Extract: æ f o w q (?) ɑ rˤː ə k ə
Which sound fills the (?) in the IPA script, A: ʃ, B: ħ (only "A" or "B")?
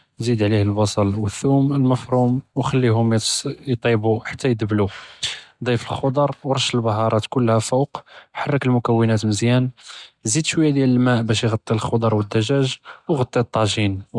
B